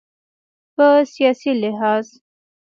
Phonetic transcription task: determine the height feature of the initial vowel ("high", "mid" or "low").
mid